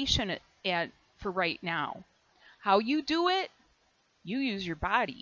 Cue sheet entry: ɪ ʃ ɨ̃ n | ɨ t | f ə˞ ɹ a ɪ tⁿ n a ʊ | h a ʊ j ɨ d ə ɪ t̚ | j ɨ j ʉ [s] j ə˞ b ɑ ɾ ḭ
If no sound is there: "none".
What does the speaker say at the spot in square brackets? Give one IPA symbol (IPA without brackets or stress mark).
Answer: z